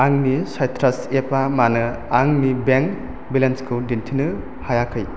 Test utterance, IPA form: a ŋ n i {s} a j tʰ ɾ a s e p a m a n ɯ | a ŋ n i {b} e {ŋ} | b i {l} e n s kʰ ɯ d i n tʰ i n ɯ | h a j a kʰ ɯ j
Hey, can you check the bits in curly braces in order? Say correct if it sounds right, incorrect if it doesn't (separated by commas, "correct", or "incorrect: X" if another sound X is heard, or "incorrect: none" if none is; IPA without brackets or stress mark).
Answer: correct, correct, correct, correct